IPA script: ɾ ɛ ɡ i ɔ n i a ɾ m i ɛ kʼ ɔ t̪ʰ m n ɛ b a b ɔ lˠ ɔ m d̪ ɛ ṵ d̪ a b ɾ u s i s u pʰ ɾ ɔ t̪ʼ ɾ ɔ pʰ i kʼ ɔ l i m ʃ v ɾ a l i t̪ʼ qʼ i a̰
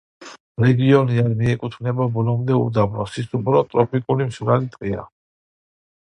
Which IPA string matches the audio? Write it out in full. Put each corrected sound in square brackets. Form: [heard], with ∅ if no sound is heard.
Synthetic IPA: ɾ ɛ ɡ i ɔ n i a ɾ m i ɛ kʼ [u] t̪ʰ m n ɛ b a b ɔ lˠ ɔ m d̪ ɛ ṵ d̪ a b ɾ [ɔ] s i s u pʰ ɾ ɔ t̪ʼ ɾ ɔ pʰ i kʼ [u] l i m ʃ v ɾ a l i t̪ʼ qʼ i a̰